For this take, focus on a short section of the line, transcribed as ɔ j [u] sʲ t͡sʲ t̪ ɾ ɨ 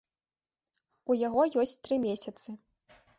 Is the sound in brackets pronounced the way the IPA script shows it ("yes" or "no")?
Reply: no